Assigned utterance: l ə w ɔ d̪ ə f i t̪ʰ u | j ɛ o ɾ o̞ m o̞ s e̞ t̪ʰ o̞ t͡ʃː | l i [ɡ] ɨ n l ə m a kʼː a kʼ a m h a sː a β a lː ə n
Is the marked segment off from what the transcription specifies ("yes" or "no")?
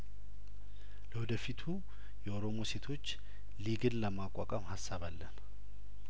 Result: no